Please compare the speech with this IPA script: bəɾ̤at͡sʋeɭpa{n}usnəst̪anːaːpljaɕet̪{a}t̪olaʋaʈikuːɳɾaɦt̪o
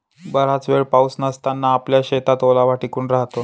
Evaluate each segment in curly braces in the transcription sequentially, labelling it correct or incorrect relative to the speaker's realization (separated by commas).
incorrect, correct